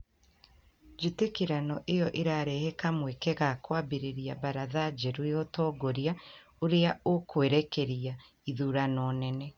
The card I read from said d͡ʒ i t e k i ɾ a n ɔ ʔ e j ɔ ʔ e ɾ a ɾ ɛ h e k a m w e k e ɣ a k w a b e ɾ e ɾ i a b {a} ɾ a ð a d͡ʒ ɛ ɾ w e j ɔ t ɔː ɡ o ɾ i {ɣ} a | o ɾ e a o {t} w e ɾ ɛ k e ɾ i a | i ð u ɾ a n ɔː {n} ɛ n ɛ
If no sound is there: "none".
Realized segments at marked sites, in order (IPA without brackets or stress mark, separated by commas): a, none, k, n